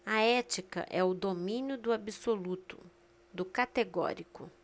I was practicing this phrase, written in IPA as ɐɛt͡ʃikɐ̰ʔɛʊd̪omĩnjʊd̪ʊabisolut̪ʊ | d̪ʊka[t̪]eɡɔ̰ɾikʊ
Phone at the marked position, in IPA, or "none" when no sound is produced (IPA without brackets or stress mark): t̪